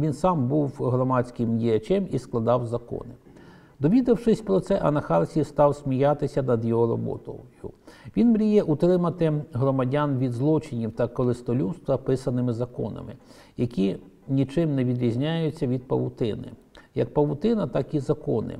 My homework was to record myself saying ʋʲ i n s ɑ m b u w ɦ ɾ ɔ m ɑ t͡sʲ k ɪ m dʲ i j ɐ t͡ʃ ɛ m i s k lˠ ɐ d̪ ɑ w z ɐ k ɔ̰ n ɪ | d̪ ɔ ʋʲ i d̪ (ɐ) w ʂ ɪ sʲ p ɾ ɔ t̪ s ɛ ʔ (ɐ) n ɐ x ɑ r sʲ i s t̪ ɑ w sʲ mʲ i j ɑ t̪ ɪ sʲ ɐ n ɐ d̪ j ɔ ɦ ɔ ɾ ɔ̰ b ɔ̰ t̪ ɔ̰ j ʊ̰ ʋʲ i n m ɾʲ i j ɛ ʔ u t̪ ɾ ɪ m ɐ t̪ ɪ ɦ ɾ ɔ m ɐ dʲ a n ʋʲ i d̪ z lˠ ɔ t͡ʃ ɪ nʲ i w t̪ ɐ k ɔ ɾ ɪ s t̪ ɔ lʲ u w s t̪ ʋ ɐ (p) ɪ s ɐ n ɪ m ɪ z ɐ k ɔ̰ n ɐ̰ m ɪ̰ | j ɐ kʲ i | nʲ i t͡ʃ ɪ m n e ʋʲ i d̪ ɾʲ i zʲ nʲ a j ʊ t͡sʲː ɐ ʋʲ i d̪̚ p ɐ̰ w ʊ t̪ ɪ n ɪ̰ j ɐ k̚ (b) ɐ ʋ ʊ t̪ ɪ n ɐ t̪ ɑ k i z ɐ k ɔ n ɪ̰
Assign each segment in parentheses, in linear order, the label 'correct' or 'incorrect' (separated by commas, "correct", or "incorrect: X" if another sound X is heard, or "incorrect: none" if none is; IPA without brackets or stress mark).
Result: correct, correct, correct, incorrect: p